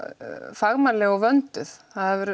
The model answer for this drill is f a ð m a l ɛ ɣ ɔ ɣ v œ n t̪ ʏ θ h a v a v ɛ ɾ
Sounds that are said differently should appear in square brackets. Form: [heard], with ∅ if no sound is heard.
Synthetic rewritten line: f a [ɣ] m a l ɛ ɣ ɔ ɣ v œ n t̪ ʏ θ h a [ð] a v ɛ ɾ